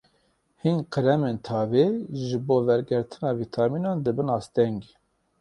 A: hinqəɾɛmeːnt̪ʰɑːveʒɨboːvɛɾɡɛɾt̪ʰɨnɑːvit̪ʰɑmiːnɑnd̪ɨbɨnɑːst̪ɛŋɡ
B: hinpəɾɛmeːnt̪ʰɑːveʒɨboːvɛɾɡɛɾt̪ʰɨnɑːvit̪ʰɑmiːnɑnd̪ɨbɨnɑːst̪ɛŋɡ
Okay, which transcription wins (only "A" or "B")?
A